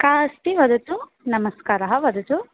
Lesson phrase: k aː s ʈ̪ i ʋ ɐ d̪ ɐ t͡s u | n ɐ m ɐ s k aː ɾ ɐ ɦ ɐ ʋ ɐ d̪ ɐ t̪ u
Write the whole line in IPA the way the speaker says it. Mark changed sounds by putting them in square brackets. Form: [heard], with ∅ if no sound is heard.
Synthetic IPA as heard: k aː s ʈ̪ i ʋ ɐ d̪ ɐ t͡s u | n ɐ m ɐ s k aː ɾ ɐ ɦ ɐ ʋ ɐ d̪ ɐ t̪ u